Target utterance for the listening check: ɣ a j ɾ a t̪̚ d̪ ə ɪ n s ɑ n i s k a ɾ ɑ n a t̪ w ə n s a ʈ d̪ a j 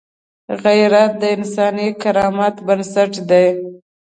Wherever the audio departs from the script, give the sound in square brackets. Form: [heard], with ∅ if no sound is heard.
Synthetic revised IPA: ɣ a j ɾ a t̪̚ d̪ ə ɪ n s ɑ n i [∅] k a ɾ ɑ [m] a t̪ [b] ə n s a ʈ d̪ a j